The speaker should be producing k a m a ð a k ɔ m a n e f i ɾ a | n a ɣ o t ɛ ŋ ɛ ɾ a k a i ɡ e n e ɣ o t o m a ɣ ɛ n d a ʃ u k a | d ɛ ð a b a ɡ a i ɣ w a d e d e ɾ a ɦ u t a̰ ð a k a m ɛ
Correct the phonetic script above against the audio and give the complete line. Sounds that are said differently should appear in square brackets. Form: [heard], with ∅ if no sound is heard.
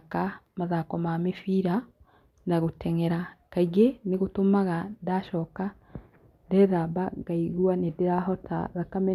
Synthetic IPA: k a m a ð a k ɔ m a [m] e f i ɾ a | n a ɣ o t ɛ ŋ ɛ ɾ a k a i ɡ e n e ɣ o t o m a ɣ [a] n d a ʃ [ɔ] k a | d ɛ ð a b a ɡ a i ɣ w a [n] e d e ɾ a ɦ [ɔ] t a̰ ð a k a m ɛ